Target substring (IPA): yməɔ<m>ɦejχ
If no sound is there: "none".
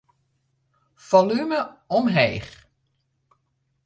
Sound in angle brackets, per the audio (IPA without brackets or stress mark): m